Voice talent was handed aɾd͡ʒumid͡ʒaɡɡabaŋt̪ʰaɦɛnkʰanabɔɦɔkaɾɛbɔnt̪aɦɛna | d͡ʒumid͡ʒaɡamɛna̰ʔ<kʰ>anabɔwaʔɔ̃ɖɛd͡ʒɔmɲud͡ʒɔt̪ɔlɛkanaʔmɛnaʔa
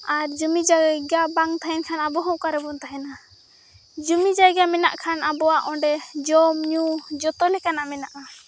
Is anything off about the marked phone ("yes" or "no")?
no